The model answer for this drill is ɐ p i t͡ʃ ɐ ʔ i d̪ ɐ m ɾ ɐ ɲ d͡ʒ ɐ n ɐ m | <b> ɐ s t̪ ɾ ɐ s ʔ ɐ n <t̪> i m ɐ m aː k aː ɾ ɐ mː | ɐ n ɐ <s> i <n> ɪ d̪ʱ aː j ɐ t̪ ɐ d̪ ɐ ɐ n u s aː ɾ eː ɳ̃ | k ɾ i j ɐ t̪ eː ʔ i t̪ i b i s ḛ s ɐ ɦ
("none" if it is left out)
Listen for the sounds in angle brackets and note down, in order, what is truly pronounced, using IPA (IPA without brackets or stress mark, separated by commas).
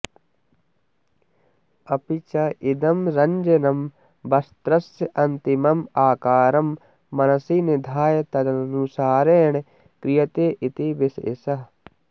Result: b, t̪, s, n